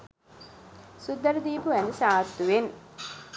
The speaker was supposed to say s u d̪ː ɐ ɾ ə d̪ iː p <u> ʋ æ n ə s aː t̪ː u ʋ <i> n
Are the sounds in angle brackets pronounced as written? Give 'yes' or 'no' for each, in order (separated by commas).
yes, no